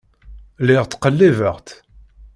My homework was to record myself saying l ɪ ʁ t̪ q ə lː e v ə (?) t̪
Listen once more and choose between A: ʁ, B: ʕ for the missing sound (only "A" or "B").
A